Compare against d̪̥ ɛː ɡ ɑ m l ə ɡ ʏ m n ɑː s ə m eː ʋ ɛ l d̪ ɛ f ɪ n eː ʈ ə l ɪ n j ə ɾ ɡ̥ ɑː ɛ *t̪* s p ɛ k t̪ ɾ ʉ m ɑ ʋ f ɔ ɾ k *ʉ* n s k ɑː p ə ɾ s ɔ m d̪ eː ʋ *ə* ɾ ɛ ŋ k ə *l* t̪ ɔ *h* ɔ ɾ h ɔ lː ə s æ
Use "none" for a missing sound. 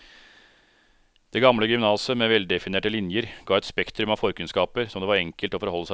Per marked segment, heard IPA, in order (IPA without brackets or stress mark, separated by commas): t̪, ʉ, ɑ, l, f